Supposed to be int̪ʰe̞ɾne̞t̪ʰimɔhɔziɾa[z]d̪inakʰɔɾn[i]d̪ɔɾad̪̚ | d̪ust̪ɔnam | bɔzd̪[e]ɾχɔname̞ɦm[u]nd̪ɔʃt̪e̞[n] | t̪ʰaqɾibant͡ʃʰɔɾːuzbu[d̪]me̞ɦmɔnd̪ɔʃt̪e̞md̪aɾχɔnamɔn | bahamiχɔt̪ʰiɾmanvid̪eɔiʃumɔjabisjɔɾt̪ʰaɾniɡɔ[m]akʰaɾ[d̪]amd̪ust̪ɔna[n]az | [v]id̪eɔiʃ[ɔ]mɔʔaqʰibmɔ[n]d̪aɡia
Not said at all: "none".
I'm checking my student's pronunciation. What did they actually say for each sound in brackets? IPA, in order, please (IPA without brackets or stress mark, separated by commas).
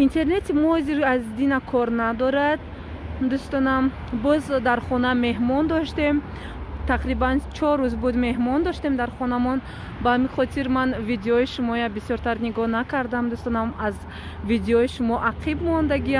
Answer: z, a, a, ɔ, m, d̪, n, d̪, m, v, u, n